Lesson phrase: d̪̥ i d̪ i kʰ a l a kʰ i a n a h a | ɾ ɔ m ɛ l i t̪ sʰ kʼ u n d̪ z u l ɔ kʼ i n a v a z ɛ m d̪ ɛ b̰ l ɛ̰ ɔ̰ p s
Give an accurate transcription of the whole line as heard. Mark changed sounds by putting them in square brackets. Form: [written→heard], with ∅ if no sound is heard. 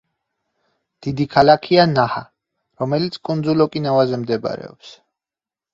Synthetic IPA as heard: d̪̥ i d̪ i kʰ a l a kʰ i a n a h a | ɾ ɔ m ɛ l i t̪ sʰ kʼ u n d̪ z u l ɔ kʼ i n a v a z ɛ m d̪ ɛ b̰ [l→ɾ] ɛ̰ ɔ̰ p s